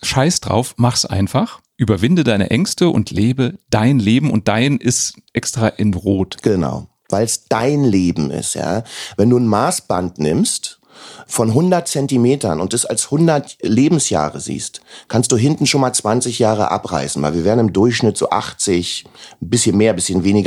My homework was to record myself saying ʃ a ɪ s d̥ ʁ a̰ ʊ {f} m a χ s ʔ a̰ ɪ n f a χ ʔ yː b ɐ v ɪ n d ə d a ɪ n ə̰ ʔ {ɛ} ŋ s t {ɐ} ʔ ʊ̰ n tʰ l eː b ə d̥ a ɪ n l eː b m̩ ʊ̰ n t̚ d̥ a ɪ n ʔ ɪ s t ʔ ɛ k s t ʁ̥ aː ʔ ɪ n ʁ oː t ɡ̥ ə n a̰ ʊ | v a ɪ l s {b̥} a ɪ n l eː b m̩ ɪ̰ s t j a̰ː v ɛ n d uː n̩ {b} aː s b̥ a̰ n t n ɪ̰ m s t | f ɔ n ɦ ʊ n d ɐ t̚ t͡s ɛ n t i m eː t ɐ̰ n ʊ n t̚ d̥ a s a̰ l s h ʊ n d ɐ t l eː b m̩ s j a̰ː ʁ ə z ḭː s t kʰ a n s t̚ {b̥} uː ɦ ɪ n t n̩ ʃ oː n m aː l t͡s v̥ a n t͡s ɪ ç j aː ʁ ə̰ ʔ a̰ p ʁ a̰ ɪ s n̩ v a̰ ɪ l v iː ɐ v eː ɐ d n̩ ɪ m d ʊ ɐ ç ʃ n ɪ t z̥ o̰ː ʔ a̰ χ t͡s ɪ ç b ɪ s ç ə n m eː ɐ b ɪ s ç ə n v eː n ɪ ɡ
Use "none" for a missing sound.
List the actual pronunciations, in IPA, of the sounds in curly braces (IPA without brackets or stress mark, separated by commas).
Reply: f, ɛ, ə, d̥, m, d̥